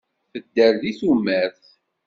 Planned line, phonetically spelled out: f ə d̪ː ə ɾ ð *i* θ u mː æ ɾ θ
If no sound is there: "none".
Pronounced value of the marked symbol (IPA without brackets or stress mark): i